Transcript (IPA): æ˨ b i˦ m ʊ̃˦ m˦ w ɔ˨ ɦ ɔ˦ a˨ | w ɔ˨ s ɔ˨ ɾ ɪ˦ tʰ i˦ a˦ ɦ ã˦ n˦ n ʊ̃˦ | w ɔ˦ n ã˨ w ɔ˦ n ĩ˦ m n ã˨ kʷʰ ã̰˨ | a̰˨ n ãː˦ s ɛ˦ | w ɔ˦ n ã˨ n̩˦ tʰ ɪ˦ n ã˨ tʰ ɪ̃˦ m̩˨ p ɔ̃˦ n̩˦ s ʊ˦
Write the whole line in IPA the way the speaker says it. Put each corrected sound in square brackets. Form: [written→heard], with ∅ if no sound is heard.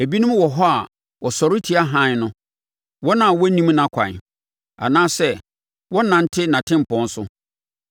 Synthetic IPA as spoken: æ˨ b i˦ [m→n] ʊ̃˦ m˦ w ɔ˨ ɦ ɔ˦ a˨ | w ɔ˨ s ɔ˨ ɾ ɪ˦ tʰ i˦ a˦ ɦ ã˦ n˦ n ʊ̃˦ | w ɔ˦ n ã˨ w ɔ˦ n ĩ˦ m n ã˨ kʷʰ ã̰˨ | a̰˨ n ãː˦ s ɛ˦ | w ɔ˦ n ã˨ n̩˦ tʰ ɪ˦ n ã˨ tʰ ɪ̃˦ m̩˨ p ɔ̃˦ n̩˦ s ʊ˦

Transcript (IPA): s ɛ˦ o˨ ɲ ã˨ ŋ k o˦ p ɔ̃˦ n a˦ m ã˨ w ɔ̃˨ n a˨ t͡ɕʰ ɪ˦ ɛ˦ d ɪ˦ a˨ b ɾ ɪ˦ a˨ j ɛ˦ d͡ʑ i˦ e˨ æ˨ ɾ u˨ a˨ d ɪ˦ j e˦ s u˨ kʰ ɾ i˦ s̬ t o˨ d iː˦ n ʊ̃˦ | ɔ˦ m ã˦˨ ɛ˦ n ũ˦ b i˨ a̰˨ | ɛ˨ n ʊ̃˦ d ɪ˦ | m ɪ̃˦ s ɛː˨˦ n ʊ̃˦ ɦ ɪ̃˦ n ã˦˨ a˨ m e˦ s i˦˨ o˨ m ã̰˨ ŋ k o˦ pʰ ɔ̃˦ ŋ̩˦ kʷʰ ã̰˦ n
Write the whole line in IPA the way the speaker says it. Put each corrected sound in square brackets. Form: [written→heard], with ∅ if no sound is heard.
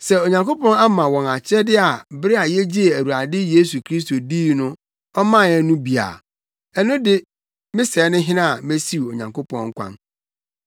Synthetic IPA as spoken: s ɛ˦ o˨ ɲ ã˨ ŋ k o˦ p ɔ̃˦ n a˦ m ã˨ w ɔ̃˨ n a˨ t͡ɕʰ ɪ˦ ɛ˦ d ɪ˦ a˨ b ɾ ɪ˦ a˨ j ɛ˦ d͡ʑ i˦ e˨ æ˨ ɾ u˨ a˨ d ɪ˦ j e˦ s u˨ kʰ ɾ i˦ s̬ t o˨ d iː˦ n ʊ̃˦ | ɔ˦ m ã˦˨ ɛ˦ n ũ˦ b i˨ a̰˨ | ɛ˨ n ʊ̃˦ d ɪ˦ | m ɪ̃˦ s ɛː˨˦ n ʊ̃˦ ɦ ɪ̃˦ n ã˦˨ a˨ m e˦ s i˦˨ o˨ [m→ɲ] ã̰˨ ŋ k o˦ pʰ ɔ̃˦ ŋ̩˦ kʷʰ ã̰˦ n

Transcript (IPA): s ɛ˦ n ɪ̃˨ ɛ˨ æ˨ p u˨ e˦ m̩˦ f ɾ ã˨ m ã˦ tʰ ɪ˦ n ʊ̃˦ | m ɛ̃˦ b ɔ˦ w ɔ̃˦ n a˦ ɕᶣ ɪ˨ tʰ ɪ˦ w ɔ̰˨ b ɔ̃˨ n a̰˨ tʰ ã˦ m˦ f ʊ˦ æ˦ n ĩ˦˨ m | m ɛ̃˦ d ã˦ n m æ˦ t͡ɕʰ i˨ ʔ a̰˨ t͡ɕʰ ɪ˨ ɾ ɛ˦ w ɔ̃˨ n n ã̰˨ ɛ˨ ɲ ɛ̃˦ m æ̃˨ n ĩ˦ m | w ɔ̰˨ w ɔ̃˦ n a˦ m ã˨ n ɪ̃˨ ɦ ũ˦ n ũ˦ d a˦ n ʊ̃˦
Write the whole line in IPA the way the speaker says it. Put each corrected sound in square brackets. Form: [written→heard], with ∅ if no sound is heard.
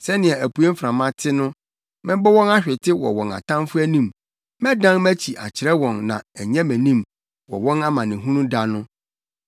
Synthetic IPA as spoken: s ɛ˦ n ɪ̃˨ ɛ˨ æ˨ p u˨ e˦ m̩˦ f ɾ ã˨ m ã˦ tʰ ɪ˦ n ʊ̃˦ | m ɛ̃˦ b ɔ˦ w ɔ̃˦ n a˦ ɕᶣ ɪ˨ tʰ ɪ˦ w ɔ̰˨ [b→w] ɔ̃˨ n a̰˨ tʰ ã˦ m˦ f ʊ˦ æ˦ n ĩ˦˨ m | m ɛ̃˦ d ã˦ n m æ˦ t͡ɕʰ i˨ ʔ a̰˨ t͡ɕʰ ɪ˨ ɾ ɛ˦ w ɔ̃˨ n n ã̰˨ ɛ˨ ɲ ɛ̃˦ m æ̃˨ n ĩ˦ m | w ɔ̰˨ w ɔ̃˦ n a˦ m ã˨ n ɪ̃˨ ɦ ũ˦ n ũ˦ d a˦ n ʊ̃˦

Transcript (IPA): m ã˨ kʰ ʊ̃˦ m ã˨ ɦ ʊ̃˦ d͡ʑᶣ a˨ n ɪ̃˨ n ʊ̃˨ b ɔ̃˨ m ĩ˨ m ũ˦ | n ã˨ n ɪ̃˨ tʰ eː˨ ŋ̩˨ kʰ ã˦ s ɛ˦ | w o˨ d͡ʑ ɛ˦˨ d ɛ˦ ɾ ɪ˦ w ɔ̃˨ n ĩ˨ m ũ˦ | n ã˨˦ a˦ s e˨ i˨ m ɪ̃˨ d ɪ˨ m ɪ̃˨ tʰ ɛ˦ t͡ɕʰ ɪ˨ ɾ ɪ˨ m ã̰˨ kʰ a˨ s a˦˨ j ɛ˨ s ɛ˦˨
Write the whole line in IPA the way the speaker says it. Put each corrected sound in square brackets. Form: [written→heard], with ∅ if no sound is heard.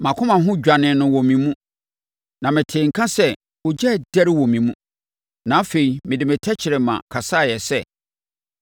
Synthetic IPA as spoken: m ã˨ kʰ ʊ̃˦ m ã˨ ɦ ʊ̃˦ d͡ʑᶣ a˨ n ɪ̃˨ n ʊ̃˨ [b→w] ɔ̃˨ m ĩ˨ m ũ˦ | n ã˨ [n→m] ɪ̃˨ tʰ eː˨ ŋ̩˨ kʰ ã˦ s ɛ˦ | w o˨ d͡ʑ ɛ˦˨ d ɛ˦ ɾ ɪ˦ w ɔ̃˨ [n→m] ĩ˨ m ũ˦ | n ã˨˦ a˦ [s→f] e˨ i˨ m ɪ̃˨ d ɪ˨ m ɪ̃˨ tʰ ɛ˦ t͡ɕʰ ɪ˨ ɾ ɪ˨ m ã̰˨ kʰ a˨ s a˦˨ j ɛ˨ s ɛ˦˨

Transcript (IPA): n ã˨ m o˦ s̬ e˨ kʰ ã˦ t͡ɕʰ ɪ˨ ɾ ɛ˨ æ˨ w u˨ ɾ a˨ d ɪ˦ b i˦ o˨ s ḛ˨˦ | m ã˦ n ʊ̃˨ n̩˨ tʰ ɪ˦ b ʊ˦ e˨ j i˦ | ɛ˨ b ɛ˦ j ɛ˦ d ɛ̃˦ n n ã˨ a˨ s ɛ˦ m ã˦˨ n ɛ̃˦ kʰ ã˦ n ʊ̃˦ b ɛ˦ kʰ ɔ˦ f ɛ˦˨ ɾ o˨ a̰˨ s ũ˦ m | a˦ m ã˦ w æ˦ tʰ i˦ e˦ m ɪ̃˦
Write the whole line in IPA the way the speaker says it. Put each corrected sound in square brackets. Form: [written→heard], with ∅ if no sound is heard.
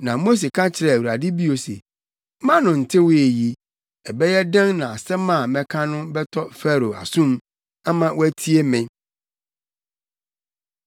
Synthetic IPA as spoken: n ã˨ m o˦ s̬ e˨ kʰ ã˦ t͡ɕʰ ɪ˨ ɾ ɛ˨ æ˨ w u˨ ɾ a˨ d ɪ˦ b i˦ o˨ s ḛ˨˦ | m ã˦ n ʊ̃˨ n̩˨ tʰ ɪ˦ [b→w] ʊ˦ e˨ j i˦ | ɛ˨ b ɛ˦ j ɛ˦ d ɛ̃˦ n n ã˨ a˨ s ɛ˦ m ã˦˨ [n→m] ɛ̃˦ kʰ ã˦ n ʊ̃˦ b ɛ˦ [kʰ→tʰ] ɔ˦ f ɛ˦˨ ɾ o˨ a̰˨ s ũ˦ m | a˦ m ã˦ w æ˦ tʰ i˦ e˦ m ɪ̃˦

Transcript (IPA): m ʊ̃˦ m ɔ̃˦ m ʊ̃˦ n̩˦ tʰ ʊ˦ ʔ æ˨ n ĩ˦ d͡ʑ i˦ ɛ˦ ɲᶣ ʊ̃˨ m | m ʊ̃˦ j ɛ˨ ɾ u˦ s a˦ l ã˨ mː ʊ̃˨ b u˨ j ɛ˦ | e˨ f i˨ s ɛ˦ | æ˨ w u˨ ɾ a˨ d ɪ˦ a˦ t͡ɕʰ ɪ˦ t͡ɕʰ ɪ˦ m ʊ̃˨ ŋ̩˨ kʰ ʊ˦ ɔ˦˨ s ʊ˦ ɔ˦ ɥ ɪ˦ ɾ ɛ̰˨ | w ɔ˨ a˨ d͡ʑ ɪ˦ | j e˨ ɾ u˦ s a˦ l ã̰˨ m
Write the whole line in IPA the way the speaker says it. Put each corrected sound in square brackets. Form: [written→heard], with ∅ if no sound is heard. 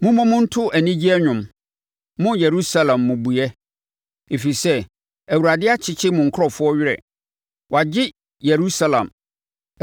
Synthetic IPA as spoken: m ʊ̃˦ m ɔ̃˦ m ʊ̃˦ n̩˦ tʰ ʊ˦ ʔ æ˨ n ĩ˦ d͡ʑ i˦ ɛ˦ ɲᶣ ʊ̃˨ m | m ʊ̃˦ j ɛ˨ ɾ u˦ s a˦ l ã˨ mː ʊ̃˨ b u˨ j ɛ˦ | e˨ f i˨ s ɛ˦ | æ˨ w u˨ ɾ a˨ d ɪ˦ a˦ t͡ɕʰ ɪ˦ t͡ɕʰ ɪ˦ m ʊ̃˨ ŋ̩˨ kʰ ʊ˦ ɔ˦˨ [s→f] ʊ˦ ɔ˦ ɥ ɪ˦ ɾ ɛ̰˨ | w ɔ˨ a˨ d͡ʑ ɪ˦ | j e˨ ɾ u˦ s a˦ l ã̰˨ m

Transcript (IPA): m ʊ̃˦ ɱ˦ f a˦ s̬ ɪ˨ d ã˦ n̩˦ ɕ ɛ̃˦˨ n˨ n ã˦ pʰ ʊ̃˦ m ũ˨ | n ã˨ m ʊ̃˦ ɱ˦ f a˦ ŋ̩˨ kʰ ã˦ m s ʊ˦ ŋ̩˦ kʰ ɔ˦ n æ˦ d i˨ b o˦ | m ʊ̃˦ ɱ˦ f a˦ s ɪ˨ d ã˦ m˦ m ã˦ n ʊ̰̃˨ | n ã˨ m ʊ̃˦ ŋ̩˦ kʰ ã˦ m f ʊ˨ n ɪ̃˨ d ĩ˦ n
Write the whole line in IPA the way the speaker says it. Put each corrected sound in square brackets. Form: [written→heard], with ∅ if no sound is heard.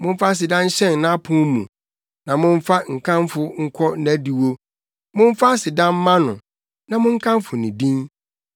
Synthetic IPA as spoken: m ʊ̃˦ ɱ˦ f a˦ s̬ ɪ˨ d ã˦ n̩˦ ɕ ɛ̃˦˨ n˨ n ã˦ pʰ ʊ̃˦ m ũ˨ | n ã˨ m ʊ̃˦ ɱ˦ f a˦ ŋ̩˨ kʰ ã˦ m [s→f] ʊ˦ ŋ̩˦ kʰ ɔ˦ n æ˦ d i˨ [b→w] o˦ | m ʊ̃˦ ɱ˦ f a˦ s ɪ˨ d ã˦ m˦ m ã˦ n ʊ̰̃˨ | n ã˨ m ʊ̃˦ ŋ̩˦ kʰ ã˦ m f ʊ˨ n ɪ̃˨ d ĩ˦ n

